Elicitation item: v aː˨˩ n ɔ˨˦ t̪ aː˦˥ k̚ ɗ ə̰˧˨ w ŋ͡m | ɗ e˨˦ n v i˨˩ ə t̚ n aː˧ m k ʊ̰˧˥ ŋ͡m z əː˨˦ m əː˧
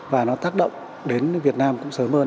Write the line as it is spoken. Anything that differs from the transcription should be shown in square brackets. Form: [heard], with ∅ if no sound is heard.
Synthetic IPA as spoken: v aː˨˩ n ɔ˨˦ t̪ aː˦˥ k̚ ɗ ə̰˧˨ w ŋ͡m | ɗ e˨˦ n v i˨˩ ə t̚ n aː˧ m k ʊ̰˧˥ ŋ͡m [s] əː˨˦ m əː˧

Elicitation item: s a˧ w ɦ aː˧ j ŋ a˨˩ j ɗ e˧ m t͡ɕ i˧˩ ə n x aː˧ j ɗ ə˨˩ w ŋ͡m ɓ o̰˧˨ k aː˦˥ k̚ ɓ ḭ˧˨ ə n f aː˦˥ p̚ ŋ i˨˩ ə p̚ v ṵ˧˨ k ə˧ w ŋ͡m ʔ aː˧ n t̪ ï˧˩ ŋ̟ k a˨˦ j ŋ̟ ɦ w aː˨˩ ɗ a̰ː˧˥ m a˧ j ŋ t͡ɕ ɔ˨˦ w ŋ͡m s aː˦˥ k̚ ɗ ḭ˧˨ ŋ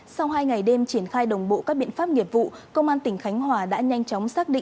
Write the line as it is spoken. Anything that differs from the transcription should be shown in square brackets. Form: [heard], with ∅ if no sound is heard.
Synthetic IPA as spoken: s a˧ w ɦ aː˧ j ŋ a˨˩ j ɗ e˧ m t͡ɕ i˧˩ ə n x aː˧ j ɗ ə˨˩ w ŋ͡m ɓ o̰˧˨ k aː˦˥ k̚ ɓ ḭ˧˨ ə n f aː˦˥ p̚ ŋ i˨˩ ə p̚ v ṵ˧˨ k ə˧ w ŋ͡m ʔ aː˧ n t̪ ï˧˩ ŋ̟ [x] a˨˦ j ŋ̟ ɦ w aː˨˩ ɗ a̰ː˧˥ [ɲ] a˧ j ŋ t͡ɕ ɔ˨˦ w ŋ͡m s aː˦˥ k̚ ɗ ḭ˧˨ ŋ

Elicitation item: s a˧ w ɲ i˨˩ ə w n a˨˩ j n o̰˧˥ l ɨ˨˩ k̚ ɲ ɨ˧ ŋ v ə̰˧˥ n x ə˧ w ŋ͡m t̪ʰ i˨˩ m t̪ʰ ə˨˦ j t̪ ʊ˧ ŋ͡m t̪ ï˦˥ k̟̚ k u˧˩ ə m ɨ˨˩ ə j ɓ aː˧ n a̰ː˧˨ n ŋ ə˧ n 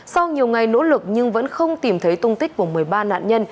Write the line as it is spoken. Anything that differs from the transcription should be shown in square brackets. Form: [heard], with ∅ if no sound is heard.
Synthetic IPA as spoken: s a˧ w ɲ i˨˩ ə w [ŋ] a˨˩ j n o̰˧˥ l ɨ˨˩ k̚ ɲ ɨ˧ ŋ v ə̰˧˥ n x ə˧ w ŋ͡m [t̪] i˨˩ m t̪ʰ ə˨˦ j t̪ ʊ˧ ŋ͡m t̪ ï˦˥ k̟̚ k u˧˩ ə m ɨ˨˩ ə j ɓ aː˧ n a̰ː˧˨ n [ɲ] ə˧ n

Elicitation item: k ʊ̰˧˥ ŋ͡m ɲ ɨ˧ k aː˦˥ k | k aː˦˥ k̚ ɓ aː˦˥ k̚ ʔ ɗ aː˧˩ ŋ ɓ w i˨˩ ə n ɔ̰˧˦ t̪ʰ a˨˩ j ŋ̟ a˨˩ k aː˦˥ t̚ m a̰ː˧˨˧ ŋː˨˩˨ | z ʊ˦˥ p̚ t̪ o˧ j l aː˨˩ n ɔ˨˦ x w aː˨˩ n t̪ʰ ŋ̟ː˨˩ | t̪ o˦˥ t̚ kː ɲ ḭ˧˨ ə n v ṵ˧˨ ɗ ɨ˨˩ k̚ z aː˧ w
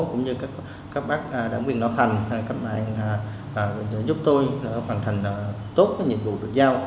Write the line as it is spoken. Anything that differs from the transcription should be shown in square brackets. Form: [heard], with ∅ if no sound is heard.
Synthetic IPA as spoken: k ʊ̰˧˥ ŋ͡m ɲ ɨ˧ k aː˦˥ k | k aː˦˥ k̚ ɓ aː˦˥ k̚ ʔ ɗ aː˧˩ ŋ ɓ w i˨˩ ə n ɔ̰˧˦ t̪ʰ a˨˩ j ŋ̟ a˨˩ k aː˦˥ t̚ m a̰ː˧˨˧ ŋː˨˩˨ | z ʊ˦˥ p̚ t̪ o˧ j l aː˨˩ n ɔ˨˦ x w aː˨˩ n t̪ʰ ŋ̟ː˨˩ | t̪ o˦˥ t̚ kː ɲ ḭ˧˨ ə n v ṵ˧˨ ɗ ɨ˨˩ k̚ z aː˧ w

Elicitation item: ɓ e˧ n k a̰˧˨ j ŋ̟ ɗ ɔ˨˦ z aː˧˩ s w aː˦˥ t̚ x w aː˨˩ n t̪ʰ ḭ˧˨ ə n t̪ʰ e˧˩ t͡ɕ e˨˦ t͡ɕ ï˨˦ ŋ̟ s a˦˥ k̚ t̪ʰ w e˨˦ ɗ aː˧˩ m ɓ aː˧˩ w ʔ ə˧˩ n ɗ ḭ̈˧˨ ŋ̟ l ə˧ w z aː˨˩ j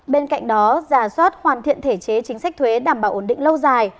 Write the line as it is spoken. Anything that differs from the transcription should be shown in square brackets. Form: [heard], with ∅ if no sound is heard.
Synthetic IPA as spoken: ɓ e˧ n k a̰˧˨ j ŋ̟ ɗ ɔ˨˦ z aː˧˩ s w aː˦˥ t̚ [h] w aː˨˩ n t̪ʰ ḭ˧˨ ə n t̪ʰ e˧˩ t͡ɕ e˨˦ t͡ɕ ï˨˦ ŋ̟ s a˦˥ k̚ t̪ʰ w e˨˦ ɗ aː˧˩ m ɓ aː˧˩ w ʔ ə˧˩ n ɗ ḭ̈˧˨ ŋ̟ l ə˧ w z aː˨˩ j

